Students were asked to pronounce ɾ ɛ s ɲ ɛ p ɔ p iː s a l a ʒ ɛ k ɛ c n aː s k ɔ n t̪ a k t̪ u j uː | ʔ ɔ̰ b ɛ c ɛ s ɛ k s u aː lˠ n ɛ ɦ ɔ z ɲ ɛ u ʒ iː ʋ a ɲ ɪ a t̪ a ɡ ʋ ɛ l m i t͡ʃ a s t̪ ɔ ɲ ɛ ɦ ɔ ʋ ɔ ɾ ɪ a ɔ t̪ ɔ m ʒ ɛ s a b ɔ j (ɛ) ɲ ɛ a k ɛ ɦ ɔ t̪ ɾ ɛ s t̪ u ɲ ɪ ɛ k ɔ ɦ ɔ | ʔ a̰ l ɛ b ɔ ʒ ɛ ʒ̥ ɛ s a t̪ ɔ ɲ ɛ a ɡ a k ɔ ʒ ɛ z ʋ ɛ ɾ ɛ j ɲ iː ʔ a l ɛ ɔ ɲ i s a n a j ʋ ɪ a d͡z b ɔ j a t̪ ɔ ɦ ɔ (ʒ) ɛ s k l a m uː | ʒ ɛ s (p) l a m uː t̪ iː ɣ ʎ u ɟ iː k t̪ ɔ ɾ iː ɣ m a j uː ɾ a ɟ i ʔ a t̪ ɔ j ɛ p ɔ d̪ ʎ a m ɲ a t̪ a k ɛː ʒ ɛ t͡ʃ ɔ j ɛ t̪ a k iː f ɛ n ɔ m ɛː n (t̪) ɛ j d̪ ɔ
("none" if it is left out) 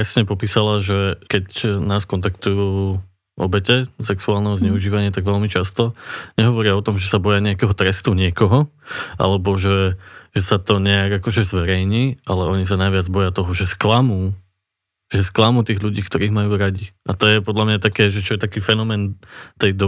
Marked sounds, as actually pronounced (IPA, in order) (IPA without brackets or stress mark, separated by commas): a, ʒ, k, t̪